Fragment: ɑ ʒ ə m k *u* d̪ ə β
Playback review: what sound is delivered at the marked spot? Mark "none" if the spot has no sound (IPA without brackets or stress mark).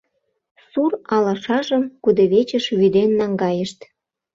u